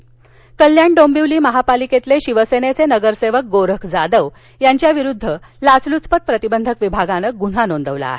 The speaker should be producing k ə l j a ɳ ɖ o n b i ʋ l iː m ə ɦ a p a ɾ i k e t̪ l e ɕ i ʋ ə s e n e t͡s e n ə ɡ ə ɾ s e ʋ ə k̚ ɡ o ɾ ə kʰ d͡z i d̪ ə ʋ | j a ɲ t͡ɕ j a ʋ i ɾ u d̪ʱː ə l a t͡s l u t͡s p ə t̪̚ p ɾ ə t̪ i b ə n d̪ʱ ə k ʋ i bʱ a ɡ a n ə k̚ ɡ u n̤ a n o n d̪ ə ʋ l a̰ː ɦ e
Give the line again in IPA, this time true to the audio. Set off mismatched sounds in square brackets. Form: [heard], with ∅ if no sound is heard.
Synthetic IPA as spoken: k ə l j a ɳ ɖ o [m] b i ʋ l iː m ə ɦ a p a [l] i k e t̪ l e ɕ i ʋ ə s e n e t͡s e n ə ɡ ə ɾ s e ʋ ə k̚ ɡ o ɾ ə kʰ d͡z [a] d̪ ə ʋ | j a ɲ t͡ɕ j a ʋ i ɾ u d̪ʱː ə l a t͡s l u t͡s p ə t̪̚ p ɾ ə t̪ i b ə n d̪ʱ ə k ʋ i bʱ a ɡ a n ə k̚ ɡ u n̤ a n o n d̪ ə ʋ l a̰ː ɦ e

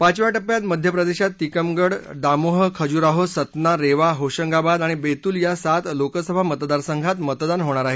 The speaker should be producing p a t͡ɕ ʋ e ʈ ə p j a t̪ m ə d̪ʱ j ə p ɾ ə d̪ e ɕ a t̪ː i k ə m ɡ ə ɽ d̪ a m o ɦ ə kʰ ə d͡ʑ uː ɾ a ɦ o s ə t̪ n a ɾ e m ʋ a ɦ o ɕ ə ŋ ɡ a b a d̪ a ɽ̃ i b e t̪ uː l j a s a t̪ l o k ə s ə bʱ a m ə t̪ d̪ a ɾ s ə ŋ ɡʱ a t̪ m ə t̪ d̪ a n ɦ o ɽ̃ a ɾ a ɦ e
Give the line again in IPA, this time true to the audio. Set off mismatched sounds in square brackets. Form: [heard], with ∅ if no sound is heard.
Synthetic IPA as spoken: p a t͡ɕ ʋ [a] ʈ ə p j a t̪ m ə d̪ʱ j ə p ɾ ə d̪ e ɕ a t̪ː i k ə m ɡ ə ɽ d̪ a m o ɦ ə kʰ ə d͡ʑ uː ɾ a ɦ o s ə t̪ n a ɾ e [∅] ʋ a ɦ o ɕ ə ŋ ɡ a b a d̪ a ɽ̃ i b e t̪ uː l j a s a t̪ l o k ə s ə bʱ a m ə t̪ d̪ a ɾ s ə ŋ ɡʱ a t̪ m ə t̪ d̪ a n ɦ o ɽ̃ a ɾ a ɦ e

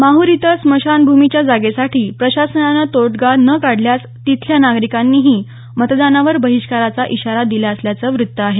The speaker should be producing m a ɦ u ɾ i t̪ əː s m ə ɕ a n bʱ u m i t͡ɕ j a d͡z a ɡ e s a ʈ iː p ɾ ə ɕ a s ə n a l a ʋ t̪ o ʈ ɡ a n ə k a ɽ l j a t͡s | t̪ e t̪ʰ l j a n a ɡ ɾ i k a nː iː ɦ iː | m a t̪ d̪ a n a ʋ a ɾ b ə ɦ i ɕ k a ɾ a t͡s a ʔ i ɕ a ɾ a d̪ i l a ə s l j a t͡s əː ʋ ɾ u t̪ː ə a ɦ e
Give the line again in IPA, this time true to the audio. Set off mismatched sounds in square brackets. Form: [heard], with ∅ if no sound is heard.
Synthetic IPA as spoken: m a ɦ u ɾ i t̪ [ə] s m ə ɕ a n bʱ u m i t͡ɕ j a d͡z a ɡ e s a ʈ iː p ɾ ə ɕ a s ə n a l a [∅] t̪ o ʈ ɡ a n ə k a ɽ l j a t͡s | t̪ [i] t̪ʰ l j a n a ɡ ɾ i k a nː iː ɦ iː | m [ə] t̪ d̪ a n a ʋ [ə] ɾ b ə ɦ i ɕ k a ɾ a t͡s a ʔ i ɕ a ɾ a d̪ i l a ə s l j a t͡s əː ʋ ɾ u t̪ː ə a ɦ e

